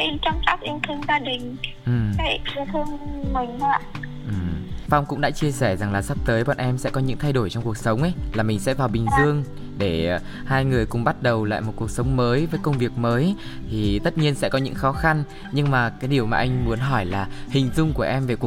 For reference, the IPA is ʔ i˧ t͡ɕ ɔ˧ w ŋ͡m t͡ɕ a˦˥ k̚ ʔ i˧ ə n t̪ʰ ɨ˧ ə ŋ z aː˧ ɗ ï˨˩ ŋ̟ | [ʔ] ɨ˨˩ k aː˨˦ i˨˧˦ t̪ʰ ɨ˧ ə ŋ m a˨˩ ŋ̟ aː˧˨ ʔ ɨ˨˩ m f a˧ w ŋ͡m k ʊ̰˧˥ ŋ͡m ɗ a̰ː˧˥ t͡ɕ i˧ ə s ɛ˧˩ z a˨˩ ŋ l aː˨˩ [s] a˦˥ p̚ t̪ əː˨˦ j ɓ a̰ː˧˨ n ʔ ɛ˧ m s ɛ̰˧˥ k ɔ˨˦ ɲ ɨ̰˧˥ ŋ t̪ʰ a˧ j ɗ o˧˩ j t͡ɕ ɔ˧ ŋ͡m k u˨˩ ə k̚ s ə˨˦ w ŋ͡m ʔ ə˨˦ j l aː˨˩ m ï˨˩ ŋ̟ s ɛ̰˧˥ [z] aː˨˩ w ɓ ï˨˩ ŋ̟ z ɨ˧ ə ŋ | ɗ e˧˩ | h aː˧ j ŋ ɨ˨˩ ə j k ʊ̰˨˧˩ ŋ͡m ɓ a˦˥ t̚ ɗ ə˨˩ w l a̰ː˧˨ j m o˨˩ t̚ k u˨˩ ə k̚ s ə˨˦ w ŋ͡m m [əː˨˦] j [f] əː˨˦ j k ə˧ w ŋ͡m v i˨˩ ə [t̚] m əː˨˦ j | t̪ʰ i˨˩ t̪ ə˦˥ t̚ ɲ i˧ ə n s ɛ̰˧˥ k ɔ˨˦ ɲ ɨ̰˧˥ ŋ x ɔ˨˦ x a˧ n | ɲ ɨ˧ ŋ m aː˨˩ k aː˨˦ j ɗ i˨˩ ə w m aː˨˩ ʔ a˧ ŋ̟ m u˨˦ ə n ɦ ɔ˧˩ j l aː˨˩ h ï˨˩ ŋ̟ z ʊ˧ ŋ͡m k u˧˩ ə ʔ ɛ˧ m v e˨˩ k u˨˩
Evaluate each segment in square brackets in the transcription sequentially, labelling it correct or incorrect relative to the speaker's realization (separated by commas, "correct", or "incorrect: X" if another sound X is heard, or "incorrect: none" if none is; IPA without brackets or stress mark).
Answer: correct, correct, incorrect: v, correct, incorrect: v, incorrect: k̚